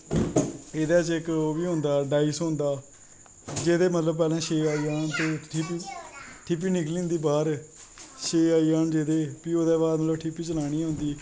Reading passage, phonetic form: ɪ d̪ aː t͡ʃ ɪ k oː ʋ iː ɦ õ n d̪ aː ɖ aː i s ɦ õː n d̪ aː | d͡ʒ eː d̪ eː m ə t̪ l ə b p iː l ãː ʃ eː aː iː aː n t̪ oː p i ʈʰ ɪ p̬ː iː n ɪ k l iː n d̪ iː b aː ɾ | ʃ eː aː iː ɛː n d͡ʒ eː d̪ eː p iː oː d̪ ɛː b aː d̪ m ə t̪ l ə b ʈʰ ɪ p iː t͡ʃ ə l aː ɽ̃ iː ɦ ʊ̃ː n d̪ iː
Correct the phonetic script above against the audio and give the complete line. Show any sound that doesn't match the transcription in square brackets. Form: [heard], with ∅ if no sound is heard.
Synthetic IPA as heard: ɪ d̪ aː t͡ʃ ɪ k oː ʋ iː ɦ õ n d̪ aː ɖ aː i s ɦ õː n d̪ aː | d͡ʒ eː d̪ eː m ə t̪ l ə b p [ɛː] l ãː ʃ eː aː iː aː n t̪ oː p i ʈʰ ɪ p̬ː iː n ɪ k l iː n d̪ iː b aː ɾ | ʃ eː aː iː [aː] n d͡ʒ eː d̪ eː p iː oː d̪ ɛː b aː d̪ m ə t̪ l ə b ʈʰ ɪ p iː t͡ʃ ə l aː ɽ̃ iː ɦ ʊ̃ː n d̪ iː